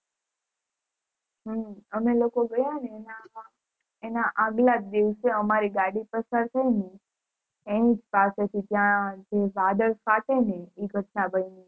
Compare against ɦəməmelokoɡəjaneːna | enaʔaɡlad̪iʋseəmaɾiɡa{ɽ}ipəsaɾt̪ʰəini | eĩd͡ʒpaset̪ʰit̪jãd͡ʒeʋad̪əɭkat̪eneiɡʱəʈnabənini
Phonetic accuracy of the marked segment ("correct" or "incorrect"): correct